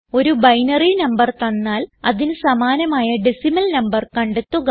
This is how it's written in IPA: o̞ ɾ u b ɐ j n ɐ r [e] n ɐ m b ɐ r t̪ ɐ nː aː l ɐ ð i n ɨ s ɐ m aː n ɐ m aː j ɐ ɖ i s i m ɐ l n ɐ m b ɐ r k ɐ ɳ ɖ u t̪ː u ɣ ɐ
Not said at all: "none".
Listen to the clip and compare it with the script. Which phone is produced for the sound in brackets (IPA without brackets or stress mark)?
i